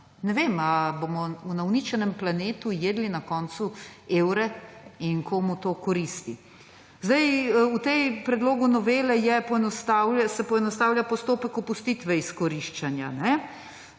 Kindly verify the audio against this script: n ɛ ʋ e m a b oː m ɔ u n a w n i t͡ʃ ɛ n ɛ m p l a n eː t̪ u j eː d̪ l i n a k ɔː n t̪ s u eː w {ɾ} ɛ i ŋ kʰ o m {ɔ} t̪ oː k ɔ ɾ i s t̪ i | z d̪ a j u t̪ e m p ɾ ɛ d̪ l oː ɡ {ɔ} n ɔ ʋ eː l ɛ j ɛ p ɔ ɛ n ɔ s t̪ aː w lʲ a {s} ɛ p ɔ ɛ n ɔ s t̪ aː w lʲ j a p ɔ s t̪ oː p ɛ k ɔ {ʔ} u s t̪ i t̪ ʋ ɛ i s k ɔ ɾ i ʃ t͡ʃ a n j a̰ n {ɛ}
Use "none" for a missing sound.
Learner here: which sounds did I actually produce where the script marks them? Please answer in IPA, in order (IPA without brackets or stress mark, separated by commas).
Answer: ɾ, u, u, s, p, ɛ